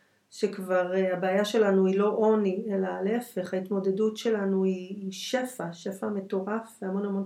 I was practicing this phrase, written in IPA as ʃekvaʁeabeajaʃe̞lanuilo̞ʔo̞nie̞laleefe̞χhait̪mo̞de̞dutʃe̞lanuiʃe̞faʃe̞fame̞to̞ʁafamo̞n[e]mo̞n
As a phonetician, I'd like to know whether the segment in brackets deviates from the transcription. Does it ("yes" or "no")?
yes